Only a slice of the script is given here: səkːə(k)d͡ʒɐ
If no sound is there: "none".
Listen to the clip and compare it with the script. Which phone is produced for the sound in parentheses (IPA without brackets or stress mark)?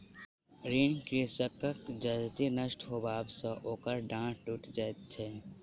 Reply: k